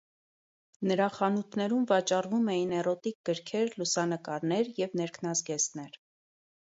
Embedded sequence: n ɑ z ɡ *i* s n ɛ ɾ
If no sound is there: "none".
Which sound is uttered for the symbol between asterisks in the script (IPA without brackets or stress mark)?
ɛ